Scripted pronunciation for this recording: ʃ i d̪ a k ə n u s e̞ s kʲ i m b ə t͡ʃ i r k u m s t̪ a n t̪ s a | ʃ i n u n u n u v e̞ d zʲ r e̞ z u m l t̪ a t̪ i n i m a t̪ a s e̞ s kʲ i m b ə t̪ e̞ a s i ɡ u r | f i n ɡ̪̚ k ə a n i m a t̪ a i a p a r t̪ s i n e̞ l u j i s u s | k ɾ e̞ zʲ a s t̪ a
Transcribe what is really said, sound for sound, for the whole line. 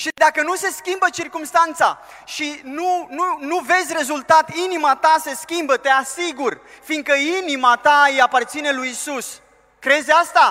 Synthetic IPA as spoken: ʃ i d̪ a k ə n u s e̞ s kʲ i m b ə t͡ʃ i r k u m s t̪ a n t̪ s a | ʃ i n u n u n u v e̞ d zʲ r e̞ z u l t̪ a t̪ i n i m a t̪ a s e̞ s kʲ i m b ə t̪ e̞ a s i ɡ u r | f i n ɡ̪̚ k ə i n i m a t̪ a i a p a r t̪ s i n e̞ l u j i s u s | k ɾ e̞ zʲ a s t̪ a